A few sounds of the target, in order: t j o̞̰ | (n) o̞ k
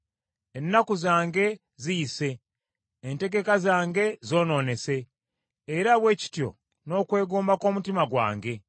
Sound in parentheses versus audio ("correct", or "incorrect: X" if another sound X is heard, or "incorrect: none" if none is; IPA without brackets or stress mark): correct